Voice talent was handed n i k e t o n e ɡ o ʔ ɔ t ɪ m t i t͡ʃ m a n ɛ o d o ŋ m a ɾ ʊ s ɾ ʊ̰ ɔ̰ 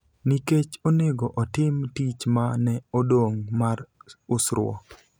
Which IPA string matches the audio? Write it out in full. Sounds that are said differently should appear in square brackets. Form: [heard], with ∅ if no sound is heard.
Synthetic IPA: n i k e [t͡ʃ] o n e ɡ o ʔ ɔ t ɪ m t i t͡ʃ m a n ɛ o d o ŋ m a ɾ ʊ s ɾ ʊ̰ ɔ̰